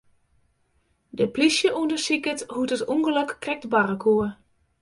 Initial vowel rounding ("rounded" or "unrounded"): unrounded